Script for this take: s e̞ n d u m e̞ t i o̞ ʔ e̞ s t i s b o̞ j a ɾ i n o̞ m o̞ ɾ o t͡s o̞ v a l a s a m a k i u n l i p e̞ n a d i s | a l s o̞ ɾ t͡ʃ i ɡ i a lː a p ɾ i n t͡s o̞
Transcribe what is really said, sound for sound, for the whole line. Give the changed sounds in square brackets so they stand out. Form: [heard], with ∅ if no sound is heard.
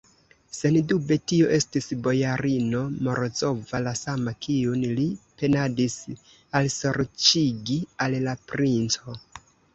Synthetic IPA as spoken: s e̞ n d u [b] e̞ t i o̞ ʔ e̞ s t i s b o̞ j a ɾ i n o̞ m o̞ ɾ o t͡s o̞ v a l a s a m a k i u n l i p e̞ n a d i s | a l s o̞ ɾ t͡ʃ i ɡ i a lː a p ɾ i n t͡s o̞